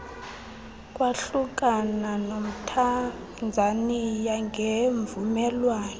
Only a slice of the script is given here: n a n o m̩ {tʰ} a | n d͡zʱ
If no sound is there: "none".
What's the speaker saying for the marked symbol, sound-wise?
tʰ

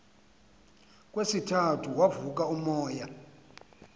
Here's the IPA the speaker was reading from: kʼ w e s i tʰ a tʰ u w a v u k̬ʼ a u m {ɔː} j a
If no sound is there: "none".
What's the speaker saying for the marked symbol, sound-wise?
ɔː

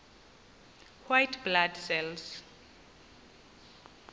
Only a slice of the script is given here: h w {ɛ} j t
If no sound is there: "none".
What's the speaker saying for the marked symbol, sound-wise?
a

